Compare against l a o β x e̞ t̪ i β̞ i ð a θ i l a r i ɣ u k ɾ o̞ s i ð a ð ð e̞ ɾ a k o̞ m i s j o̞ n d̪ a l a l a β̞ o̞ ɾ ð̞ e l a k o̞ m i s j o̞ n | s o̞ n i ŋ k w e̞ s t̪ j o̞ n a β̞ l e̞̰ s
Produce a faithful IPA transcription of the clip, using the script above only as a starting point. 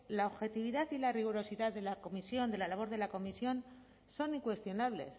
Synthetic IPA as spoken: l a o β x e̞ t̪ i β̞ i ð a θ i l a r i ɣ u ɾ o̞ s i ð a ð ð e̞ l a k o̞ m i s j o̞ n d̪ e l a l a β̞ o̞ ɾ ð̞ e l a k o̞ m i s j o̞ n | s o̞ n i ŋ k w e̞ s t̪ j o̞ n a β̞ l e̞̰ s